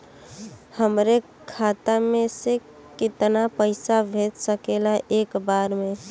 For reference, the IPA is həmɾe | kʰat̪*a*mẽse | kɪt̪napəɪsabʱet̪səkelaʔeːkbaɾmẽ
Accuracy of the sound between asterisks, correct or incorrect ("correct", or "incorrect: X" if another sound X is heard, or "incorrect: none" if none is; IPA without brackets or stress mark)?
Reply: correct